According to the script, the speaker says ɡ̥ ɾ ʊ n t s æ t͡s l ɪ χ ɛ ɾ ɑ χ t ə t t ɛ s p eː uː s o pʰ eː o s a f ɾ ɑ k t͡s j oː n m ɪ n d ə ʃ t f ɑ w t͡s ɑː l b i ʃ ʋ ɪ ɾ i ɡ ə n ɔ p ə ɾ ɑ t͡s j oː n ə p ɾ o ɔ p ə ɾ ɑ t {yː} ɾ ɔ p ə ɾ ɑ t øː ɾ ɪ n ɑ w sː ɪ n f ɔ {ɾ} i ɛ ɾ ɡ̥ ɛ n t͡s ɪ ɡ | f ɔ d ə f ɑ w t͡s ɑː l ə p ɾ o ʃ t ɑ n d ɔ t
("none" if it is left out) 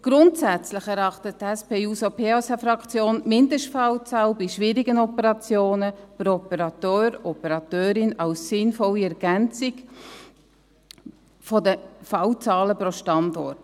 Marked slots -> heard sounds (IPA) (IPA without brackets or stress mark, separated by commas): øː, l